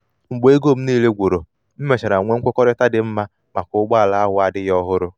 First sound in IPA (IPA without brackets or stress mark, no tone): ŋ͡m̩